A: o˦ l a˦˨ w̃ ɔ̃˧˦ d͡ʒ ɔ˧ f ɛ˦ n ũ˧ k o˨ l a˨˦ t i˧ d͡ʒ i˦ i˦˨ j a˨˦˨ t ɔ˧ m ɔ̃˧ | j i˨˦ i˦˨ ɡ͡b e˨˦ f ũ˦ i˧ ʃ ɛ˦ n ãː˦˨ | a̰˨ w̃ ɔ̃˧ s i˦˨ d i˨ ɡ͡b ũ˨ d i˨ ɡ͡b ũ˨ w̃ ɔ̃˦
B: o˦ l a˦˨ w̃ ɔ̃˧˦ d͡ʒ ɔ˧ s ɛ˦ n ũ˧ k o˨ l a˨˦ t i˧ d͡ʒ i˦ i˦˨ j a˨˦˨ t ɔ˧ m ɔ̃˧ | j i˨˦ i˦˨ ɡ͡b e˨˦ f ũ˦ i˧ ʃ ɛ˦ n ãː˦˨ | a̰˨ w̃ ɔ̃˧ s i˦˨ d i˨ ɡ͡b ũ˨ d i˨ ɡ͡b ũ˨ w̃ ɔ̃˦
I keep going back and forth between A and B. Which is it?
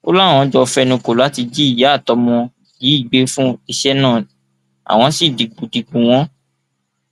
A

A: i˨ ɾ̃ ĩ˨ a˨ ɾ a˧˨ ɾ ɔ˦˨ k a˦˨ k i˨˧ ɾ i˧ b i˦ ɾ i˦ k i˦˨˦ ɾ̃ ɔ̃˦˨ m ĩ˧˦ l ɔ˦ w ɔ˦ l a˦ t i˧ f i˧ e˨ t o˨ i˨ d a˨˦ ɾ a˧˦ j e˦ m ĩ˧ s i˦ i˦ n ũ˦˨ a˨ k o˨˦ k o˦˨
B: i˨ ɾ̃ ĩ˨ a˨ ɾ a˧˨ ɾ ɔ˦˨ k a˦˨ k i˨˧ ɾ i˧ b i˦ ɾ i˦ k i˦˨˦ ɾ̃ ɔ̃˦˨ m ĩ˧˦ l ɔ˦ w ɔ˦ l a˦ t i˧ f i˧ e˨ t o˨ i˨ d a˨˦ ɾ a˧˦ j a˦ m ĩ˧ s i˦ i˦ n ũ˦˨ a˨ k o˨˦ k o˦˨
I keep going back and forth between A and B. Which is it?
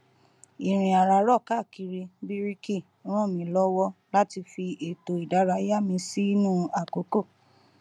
B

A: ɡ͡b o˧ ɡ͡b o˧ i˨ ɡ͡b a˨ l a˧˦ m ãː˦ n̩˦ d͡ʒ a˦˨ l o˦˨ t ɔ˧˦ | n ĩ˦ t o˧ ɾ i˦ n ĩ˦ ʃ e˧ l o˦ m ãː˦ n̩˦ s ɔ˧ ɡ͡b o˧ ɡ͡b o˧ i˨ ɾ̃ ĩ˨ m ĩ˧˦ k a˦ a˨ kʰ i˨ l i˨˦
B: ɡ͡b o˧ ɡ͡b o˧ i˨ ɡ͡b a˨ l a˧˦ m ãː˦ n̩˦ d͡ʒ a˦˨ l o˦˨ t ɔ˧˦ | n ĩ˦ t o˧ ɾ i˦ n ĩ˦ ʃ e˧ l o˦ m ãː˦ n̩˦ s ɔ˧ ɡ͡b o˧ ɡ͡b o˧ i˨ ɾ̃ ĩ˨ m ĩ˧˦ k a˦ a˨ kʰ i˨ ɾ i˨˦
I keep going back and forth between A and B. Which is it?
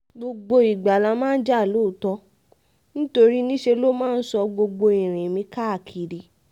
B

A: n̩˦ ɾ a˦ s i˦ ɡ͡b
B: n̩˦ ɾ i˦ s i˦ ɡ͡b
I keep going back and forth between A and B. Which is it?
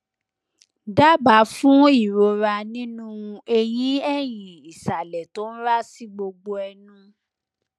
A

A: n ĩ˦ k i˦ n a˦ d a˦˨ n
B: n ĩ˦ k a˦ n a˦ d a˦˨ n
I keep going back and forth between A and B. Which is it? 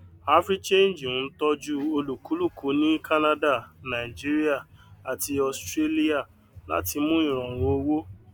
B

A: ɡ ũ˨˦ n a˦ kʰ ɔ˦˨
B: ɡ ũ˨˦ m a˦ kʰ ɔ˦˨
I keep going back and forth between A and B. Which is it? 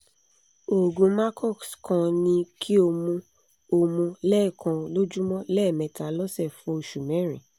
B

